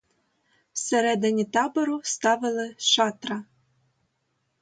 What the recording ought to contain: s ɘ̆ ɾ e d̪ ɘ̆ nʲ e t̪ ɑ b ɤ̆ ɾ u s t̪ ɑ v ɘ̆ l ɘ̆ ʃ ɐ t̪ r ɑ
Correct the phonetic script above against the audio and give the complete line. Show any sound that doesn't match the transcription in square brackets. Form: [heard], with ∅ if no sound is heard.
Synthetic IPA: s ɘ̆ ɾ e d̪ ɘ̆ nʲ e t̪ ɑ b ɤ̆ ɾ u s t̪ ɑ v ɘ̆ l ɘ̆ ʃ [ɑ] t̪ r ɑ